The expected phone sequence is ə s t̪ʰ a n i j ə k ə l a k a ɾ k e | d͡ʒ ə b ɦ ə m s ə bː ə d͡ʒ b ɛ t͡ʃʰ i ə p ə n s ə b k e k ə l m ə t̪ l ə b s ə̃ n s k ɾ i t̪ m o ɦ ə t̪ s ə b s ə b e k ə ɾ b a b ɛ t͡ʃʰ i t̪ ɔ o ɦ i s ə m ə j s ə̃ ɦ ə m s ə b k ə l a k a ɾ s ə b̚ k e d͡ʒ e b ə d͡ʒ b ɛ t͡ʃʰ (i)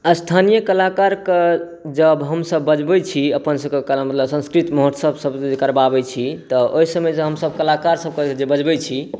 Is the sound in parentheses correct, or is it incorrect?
correct